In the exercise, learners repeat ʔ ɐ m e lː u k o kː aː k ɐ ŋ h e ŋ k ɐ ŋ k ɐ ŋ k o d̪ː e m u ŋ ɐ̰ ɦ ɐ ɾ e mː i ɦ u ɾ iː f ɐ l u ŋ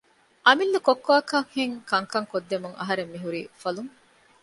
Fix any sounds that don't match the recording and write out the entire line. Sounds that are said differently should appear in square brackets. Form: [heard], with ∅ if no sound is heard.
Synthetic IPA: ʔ ɐ m [i] lː u k o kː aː k ɐ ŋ h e ŋ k ɐ ŋ k ɐ ŋ k o d̪ː e m u ŋ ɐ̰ ɦ ɐ ɾ e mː i ɦ u ɾ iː f ɐ l u ŋ